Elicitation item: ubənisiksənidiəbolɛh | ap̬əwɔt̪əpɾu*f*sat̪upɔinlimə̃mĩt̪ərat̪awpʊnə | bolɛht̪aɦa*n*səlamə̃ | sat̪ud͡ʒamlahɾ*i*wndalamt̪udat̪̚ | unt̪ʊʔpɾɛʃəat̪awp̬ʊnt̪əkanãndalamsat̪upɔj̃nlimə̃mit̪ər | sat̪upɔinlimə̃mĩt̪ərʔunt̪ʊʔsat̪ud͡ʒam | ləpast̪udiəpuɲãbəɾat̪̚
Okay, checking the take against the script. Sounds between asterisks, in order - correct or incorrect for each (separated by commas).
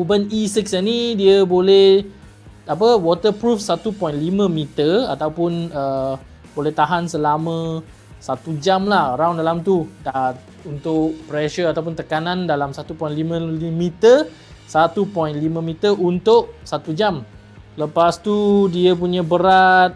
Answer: correct, correct, incorrect